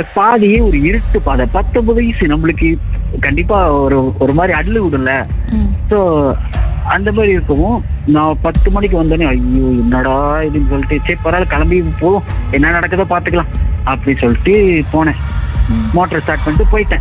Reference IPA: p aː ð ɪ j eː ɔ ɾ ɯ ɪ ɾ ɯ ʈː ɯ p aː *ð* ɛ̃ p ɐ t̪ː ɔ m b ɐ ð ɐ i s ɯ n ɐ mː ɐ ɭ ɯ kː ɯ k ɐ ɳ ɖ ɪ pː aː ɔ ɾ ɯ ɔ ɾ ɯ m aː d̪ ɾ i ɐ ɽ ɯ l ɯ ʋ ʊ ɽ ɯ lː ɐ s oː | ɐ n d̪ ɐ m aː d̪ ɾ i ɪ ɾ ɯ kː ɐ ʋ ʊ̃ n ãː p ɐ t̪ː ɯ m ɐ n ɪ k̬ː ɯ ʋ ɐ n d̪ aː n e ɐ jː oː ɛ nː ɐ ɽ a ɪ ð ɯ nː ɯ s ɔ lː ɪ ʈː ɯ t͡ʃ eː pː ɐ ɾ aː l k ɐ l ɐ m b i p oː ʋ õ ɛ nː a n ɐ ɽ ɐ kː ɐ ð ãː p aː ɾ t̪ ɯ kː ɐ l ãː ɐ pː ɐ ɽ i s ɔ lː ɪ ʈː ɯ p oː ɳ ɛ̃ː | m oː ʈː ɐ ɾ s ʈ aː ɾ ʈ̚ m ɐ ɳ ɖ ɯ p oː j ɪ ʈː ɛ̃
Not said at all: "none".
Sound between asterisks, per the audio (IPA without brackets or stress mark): ð